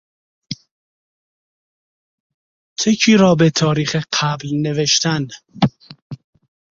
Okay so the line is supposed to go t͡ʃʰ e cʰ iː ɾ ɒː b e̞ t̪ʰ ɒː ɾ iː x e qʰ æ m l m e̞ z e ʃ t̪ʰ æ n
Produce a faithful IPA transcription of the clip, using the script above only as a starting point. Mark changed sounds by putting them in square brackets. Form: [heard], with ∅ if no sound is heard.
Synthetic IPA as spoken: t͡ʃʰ e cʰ iː ɾ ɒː b e̞ t̪ʰ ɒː ɾ iː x e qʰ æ [b] l [n] e̞ [v] e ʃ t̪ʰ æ n